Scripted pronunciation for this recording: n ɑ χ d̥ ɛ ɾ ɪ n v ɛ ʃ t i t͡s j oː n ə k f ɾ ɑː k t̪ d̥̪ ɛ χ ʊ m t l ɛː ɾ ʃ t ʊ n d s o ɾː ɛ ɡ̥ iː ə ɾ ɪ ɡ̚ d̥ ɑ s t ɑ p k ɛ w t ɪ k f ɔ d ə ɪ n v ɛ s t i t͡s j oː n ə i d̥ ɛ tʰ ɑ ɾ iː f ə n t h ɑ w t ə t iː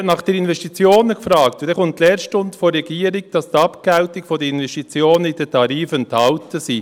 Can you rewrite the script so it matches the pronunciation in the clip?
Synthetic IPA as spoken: n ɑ χ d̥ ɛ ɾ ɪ n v ɛ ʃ t i t͡s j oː n ə k f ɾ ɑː k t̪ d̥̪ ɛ χ ʊ n t l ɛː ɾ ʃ t ʊ n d f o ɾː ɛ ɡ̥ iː ə ɾ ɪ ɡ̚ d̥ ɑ s t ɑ p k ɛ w t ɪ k f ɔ d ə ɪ n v ɛ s t i t͡s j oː n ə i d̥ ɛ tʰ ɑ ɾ iː f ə n t h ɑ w t ə s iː